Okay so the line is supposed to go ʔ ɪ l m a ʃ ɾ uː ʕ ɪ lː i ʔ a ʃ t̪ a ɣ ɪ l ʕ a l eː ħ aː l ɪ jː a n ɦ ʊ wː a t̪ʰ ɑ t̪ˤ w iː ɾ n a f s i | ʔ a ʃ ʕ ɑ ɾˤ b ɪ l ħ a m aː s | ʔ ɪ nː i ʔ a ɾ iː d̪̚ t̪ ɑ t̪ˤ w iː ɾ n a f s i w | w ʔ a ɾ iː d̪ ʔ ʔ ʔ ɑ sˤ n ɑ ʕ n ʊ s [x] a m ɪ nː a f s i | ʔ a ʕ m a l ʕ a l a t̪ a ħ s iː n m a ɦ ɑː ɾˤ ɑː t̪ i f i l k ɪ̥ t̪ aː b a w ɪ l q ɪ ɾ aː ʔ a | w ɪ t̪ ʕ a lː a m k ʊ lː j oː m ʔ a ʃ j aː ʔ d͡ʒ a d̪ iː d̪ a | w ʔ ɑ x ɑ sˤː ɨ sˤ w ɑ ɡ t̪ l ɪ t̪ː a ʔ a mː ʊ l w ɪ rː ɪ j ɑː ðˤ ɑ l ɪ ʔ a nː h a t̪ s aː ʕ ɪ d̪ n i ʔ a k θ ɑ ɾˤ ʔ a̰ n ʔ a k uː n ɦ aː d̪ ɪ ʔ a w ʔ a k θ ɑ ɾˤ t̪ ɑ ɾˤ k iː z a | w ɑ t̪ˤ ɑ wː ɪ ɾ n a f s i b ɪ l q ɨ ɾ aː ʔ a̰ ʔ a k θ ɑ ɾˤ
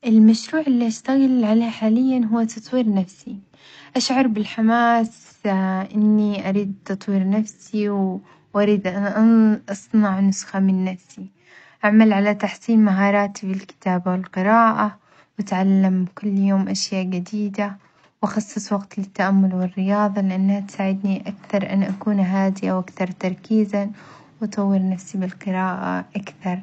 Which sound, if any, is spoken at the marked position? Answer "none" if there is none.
x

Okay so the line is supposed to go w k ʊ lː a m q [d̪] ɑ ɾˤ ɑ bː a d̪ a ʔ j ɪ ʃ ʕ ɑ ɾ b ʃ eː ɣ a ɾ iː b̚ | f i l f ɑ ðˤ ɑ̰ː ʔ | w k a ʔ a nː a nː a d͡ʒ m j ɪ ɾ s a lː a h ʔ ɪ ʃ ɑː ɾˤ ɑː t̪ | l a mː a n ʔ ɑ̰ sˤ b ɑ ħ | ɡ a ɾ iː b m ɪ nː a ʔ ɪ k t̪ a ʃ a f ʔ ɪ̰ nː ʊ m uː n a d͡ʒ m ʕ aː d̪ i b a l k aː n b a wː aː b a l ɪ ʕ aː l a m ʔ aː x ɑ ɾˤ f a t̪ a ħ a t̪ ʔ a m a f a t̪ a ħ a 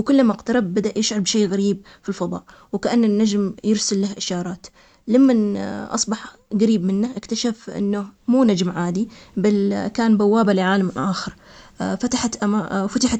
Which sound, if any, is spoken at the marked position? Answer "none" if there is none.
t̪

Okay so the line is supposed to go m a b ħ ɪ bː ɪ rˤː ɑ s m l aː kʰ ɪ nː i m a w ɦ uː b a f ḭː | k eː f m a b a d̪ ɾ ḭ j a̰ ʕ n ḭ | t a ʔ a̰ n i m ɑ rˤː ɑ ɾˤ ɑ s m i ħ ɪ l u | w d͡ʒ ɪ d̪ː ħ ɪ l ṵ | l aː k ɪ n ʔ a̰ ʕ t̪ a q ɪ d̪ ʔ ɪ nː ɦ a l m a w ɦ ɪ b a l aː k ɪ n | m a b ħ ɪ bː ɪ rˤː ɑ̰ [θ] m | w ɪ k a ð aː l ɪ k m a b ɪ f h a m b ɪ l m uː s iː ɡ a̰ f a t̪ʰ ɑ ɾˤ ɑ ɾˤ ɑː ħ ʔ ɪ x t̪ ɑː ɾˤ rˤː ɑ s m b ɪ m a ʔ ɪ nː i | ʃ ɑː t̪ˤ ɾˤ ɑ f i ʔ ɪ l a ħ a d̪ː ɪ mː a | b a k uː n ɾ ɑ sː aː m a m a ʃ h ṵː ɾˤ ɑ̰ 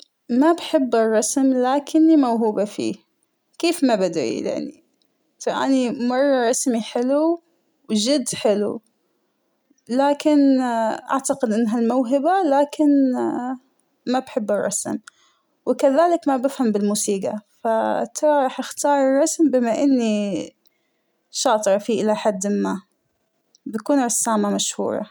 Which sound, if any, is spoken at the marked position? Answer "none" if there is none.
s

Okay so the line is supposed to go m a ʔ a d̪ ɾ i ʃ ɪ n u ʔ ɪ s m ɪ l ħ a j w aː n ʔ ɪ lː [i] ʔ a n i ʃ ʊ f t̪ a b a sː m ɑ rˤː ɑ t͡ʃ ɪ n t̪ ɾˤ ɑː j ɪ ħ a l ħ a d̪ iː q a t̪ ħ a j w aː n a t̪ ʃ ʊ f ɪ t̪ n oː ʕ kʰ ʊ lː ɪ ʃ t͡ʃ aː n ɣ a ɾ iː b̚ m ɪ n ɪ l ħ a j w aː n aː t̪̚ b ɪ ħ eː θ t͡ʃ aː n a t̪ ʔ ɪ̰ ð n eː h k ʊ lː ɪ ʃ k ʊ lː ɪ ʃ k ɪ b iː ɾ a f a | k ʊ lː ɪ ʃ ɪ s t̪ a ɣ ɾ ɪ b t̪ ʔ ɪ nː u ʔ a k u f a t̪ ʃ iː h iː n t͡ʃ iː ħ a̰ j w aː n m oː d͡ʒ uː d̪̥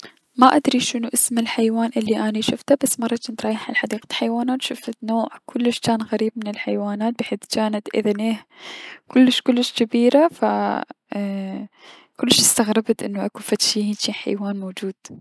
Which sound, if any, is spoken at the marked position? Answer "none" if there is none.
i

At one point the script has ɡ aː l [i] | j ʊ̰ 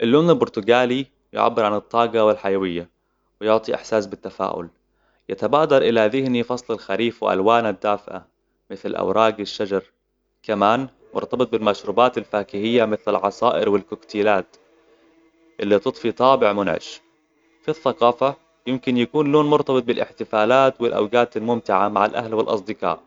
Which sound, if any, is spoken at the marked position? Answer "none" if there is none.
i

